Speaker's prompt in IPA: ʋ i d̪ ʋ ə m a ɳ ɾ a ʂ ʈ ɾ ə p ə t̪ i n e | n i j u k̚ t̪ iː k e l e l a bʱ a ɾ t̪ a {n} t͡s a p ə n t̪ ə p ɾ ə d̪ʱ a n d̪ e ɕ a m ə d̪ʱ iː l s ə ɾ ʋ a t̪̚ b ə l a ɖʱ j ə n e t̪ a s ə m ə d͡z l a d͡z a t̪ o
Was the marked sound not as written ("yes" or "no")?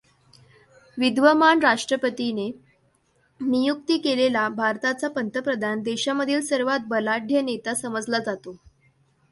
yes